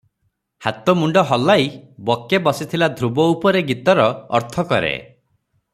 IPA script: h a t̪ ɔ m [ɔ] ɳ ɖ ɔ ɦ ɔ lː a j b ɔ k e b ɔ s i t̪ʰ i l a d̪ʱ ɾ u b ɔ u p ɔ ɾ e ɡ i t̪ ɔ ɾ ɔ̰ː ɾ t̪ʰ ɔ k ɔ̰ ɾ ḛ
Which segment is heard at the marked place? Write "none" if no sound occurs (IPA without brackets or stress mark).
u